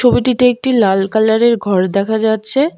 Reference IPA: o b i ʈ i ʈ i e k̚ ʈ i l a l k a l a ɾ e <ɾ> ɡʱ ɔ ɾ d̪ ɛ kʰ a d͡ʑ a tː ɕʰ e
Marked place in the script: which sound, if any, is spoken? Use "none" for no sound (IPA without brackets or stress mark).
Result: ɾ